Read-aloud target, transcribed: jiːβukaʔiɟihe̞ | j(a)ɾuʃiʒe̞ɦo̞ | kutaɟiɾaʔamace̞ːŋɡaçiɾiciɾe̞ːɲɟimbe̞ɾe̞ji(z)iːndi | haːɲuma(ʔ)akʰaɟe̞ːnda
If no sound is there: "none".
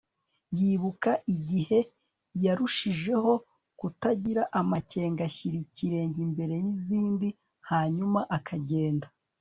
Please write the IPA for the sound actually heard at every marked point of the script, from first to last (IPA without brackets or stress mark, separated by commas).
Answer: a, z, ʔ